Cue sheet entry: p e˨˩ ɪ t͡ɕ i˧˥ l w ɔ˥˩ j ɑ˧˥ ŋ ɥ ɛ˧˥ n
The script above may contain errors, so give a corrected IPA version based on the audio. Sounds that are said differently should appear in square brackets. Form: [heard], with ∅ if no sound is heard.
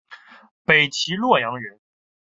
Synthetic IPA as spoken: p e˨˩ ɪ [t͡ɕʰ] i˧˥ l w ɔ˥˩ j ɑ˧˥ ŋ ɥ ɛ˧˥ n

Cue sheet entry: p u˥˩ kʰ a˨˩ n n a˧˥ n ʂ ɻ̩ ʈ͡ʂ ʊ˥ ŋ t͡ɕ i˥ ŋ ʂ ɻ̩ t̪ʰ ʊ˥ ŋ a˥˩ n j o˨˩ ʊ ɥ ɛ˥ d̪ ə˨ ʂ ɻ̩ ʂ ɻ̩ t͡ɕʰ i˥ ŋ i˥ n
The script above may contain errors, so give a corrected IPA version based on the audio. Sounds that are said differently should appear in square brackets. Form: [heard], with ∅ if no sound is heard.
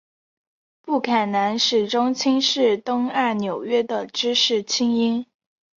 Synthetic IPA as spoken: p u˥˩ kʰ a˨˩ n n a˧˥ n ʂ ɻ̩ ʈ͡ʂ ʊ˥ ŋ [t͡ɕʰ] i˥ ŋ ʂ ɻ̩ [t̪] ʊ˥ ŋ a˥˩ n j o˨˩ ʊ ɥ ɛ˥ d̪ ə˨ [ʈ͡ʂ] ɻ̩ ʂ ɻ̩ t͡ɕʰ i˥ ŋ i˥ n

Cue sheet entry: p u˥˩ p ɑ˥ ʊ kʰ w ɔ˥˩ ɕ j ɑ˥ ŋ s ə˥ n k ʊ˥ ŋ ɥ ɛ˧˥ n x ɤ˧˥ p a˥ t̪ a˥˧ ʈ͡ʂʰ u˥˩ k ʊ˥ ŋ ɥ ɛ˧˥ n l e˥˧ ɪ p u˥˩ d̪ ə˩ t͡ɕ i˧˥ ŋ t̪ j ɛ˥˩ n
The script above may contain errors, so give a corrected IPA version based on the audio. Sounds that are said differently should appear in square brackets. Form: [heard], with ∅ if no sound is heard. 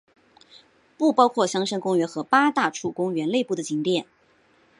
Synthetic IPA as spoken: p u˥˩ p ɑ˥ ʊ kʰ w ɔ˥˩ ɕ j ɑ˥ ŋ [ʂ] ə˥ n k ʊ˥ ŋ ɥ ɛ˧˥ n x ɤ˧˥ p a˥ t̪ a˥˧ ʈ͡ʂʰ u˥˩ k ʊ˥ ŋ ɥ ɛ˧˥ n l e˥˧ ɪ p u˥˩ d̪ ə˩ t͡ɕ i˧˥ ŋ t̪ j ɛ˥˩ n

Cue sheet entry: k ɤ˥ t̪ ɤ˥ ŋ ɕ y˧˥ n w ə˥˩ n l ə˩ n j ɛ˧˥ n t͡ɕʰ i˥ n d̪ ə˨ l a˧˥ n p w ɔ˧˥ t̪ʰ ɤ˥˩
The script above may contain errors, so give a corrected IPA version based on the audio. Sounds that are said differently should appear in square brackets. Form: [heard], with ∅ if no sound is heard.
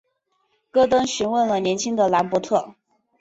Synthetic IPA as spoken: k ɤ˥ t̪ ɤ˥ ŋ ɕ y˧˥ n w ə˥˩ n l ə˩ n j ɛ˧˥ n t͡ɕʰ i˥ [ŋ] d̪ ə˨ l a˧˥ n p w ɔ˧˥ t̪ʰ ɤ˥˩

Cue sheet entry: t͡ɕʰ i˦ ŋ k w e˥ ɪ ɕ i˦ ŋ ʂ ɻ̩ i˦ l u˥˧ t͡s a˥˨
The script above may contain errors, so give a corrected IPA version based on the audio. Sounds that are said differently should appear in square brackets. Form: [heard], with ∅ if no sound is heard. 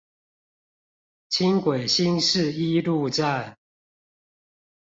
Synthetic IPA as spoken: t͡ɕʰ i˦ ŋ k w [e˨˩] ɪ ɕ i˦ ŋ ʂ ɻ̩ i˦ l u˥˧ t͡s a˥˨

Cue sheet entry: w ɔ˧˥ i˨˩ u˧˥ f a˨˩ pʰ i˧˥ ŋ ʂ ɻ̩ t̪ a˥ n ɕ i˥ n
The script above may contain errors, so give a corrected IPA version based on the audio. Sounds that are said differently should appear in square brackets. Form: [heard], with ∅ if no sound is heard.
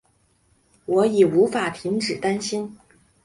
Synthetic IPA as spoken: w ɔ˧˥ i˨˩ u˧˥ f a˨˩ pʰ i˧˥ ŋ [ʈ͡ʂ] ɻ̩ t̪ a˥ n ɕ i˥ n

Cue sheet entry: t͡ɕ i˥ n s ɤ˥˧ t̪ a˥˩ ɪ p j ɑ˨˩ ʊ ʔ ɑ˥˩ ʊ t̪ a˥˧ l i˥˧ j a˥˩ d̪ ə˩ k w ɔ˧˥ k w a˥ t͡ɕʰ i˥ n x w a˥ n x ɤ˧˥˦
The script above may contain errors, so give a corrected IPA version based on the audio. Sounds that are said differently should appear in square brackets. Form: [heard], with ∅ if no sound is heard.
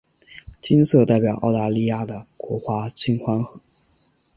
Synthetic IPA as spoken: t͡ɕ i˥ n s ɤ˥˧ t̪ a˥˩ ɪ p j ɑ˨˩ ʊ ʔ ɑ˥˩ ʊ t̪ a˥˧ l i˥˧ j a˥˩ d̪ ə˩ k w ɔ˧˥ [x] w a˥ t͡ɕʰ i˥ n x w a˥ n x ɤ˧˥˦

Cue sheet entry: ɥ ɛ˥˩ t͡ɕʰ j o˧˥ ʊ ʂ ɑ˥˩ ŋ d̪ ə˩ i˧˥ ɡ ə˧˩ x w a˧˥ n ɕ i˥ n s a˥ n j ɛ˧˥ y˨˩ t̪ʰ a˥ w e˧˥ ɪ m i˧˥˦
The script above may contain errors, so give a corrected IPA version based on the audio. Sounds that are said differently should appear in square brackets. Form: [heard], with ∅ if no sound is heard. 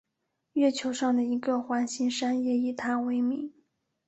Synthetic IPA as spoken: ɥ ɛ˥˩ t͡ɕʰ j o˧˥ ʊ ʂ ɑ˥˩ ŋ d̪ ə˩ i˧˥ ɡ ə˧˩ x w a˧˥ n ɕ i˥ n [ʂ] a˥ n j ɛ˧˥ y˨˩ t̪ʰ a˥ w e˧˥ ɪ m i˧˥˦

